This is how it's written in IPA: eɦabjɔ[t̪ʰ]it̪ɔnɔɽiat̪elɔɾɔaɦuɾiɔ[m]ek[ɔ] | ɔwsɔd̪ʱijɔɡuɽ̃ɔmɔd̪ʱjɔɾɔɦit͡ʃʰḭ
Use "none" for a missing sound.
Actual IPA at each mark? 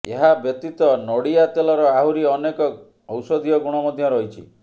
t̪, n, ɔ

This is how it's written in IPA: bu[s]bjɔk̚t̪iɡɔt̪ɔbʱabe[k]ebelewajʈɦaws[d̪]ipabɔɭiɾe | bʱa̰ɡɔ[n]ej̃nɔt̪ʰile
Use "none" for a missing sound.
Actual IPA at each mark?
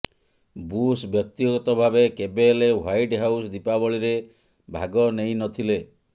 s, k, d̪, n

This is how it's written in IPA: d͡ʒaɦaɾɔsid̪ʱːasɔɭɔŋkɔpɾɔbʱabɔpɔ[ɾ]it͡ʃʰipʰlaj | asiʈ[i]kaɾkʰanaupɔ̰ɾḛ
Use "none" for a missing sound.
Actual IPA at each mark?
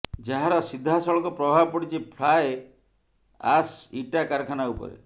ɽ, a

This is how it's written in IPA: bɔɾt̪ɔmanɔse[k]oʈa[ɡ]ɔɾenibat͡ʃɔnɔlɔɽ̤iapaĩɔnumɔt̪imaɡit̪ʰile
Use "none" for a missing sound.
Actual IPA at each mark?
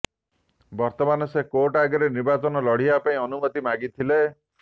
k, ɡ

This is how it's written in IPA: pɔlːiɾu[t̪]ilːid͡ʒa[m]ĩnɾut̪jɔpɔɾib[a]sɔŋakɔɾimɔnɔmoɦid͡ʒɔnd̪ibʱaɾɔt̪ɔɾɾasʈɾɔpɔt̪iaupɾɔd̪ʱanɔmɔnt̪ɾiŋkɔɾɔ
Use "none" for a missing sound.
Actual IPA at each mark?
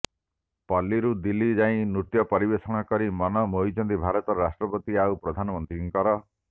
d̪, none, e

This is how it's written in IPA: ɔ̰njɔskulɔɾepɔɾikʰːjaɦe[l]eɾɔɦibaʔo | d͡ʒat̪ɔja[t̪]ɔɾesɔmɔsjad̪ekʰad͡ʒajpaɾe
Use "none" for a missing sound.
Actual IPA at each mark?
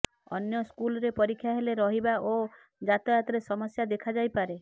l, t̪

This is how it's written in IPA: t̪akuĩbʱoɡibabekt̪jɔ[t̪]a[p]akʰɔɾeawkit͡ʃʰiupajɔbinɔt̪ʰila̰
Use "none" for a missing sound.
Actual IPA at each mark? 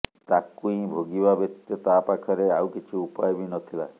t̪, p

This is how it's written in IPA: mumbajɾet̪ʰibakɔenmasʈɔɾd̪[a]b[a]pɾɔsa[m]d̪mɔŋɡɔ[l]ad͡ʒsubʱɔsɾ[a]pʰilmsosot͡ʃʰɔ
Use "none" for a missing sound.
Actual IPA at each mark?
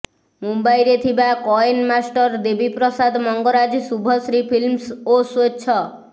e, i, none, ɾ, i

